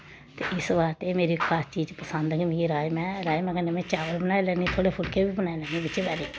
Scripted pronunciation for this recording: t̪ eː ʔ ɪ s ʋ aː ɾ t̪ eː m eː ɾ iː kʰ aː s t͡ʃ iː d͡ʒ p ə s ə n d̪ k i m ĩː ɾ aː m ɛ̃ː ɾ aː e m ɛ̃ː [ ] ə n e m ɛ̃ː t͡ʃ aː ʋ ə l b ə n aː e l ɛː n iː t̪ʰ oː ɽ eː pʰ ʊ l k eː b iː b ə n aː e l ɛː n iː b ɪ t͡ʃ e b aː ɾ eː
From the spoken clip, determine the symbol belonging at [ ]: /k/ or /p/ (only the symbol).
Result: k